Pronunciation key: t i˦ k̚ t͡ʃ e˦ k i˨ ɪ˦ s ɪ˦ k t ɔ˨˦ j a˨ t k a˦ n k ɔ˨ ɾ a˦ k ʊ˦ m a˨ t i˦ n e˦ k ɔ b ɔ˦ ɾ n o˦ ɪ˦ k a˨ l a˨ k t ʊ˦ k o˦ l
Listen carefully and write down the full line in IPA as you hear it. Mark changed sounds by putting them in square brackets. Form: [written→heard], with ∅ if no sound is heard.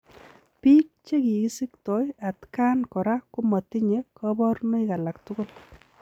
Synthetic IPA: [t→p] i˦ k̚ t͡ʃ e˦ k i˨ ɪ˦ s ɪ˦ k t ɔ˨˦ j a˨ t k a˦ n k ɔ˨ ɾ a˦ k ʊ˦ m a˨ t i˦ [n→ɲ] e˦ k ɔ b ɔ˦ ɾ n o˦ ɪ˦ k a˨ l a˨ k t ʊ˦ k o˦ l